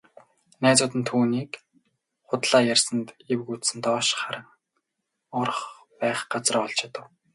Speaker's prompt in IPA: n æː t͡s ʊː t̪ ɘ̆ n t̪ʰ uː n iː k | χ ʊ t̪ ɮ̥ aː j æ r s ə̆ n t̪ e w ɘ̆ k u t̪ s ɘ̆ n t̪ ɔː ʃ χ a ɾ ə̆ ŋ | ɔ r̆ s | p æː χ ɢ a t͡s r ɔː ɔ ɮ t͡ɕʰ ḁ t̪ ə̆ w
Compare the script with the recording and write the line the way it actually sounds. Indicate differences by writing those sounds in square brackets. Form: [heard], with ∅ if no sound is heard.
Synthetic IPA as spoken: n æː t͡s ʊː t̪ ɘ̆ n t̪ʰ uː n iː k | χ ʊ t̪ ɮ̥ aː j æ r s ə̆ n t̪ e w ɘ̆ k u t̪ s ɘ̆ n t̪ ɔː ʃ χ a ɾ ə̆ ŋ | ɔ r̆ [χ] | p æː χ ɢ a t͡s r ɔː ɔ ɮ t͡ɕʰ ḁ t̪ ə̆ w

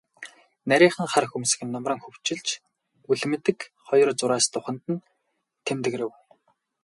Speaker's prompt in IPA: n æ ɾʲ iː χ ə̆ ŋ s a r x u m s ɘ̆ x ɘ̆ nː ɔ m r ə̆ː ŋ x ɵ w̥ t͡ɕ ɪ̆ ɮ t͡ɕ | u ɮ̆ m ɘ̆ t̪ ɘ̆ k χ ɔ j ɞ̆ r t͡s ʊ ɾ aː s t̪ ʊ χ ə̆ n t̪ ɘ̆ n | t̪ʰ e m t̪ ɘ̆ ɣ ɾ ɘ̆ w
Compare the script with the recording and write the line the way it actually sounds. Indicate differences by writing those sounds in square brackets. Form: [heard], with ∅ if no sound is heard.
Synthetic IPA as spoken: n æ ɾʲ iː χ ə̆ ŋ [χ] a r x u m s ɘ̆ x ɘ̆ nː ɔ m r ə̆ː ŋ x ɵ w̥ t͡ɕ ɪ̆ ɮ t͡ɕ | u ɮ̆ m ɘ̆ t̪ ɘ̆ k χ ɔ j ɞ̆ r t͡s ʊ ɾ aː s t̪ ʊ χ ə̆ n t̪ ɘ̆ n | t̪ʰ e m t̪ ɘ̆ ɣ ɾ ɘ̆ w

